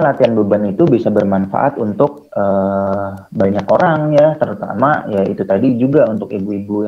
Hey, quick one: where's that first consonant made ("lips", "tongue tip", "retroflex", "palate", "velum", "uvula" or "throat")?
tongue tip